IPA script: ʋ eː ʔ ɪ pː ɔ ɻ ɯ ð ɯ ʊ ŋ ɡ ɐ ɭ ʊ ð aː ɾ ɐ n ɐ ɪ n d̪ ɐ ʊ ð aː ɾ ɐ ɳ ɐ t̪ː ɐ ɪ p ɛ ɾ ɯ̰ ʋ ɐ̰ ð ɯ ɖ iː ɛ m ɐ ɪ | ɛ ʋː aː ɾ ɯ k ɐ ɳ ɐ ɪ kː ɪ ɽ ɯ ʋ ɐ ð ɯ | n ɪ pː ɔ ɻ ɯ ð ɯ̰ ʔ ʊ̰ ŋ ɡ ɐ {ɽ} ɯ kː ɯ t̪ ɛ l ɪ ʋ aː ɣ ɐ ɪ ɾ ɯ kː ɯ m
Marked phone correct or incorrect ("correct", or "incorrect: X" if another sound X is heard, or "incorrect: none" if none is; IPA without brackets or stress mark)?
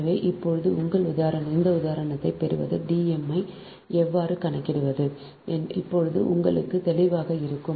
incorrect: ɭ